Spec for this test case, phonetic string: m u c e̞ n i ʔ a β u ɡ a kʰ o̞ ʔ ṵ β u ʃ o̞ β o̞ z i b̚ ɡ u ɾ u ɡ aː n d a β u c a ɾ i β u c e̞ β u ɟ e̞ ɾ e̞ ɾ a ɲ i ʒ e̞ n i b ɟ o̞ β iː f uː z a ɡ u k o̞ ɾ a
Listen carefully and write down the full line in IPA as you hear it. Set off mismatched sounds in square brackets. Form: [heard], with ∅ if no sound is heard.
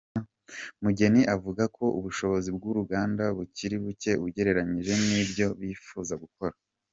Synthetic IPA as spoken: m u [ɟ] e̞ n i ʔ a [v] u ɡ a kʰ o̞ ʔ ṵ β u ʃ o̞ β o̞ z i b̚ ɡ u ɾ u ɡ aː n d a β u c [i] ɾ i β u c e̞ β u ɟ e̞ ɾ e̞ ɾ a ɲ i ʒ e̞ n i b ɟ o̞ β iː f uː z a ɡ u k o̞ ɾ a